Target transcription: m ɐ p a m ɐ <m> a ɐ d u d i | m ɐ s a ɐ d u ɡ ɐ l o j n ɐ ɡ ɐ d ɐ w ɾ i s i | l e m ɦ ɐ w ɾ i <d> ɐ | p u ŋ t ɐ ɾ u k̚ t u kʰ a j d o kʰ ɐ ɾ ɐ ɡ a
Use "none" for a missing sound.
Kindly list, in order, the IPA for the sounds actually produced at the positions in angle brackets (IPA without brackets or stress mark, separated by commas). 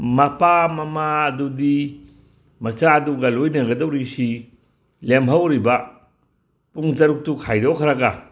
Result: m, b